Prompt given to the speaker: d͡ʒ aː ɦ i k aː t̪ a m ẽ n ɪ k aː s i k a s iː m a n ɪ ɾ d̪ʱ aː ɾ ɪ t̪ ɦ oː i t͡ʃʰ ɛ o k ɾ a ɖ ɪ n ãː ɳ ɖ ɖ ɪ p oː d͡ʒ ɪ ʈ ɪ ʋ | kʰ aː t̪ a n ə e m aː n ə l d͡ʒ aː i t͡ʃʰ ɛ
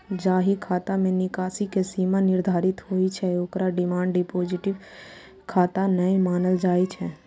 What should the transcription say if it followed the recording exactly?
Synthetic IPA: d͡ʒ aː ɦ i kʰ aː t̪ a m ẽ n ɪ k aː s i k e s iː m a n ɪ ɾ d̪ʱ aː ɾ ɪ t̪ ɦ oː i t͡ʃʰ ɛ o k ɾ a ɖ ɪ m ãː ɳ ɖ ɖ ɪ p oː d͡ʒ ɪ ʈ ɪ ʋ | kʰ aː t̪ a n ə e m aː n ə l d͡ʒ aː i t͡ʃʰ ɛ

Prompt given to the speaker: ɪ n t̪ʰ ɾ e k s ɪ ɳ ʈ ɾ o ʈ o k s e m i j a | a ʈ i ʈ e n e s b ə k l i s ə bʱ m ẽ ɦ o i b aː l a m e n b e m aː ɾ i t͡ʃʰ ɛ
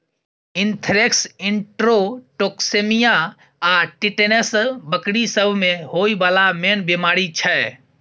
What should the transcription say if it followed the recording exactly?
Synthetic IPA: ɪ n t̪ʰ ɾ e k s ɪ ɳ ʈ ɾ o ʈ o k s e m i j a | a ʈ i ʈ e n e s b ə k ɽ i s ə bʱ m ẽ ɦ o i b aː l a m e n b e m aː ɾ i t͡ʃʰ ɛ

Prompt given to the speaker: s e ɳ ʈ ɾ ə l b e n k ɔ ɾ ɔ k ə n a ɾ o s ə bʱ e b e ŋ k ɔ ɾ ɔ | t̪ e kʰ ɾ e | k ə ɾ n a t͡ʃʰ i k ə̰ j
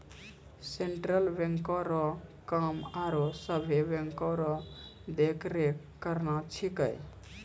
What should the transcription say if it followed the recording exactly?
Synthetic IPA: s e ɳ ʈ ɾ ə l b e ŋ k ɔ ɾ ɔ k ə m a ɾ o s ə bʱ e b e ŋ k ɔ ɾ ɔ | d̪ e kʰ ɾ e | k ə ɾ n a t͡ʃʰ i k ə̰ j

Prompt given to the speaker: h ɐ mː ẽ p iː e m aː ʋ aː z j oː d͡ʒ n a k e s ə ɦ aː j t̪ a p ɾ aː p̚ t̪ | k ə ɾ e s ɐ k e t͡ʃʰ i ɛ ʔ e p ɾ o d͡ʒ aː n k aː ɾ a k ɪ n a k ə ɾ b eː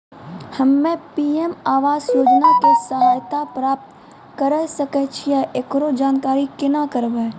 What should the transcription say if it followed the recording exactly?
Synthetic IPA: h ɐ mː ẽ p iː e m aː ʋ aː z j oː d͡ʒ n a k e s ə ɦ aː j t̪ a p ɾ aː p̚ t̪ | k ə ɾ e s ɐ k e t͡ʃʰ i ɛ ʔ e k ɾ o d͡ʒ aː n k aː ɾ i k ɪ n a k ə ɾ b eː

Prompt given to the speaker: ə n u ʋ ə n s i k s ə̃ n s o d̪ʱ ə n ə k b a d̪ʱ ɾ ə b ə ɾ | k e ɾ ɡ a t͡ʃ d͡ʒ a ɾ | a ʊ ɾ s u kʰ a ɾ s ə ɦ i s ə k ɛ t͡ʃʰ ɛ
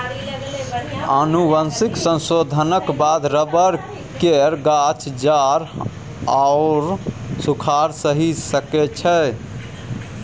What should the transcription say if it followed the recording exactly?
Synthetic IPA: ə n u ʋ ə n s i k s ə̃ n s o d̪ʱ ə n ə k b a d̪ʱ ɾ ə b ə ɾ | k e ɾ ɡ a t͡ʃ d͡ʒ a ɾ | a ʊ ɾ s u kʰ a ɾ s ə ɦ i s ə k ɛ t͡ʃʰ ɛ

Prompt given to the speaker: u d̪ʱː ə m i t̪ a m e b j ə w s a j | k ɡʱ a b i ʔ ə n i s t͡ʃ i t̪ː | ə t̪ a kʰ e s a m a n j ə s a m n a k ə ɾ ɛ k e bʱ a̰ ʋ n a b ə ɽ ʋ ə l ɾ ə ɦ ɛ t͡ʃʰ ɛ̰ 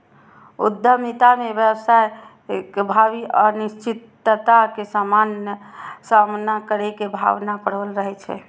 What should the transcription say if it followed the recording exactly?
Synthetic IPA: u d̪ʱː ə m i t̪ a m e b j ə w s a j | k bʱ a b i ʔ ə n i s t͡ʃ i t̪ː | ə t̪ a k e s a m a n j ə s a m n a k ə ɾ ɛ k e bʱ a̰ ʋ n a p ə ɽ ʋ ə l ɾ ə ɦ ɛ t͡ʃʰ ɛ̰

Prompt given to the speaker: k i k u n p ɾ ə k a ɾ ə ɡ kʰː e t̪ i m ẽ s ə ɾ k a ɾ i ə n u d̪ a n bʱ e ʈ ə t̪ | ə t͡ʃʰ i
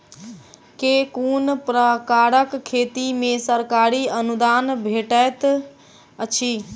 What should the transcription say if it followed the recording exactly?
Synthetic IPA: k e k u n p ɾ ə k a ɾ ə k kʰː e t̪ i m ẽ s ə ɾ k a ɾ i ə n u d̪ a n bʱ e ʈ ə t̪ | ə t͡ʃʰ i

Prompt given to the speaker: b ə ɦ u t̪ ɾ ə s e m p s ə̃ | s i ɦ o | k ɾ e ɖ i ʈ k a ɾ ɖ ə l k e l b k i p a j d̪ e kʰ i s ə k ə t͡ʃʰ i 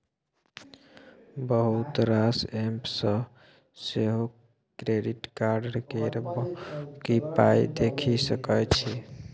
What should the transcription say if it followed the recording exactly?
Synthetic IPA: b ə ɦ u t̪ ɾ a s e m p s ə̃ | s e ɦ o | k ɾ e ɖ i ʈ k a ɾ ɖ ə ɾ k e ɾ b k i p a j d̪ e kʰ i s ə k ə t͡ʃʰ i

